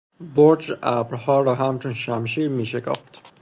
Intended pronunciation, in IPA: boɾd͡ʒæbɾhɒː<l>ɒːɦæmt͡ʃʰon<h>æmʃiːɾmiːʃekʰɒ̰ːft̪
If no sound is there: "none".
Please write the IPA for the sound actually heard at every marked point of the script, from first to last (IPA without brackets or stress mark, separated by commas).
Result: ɾ, ʃ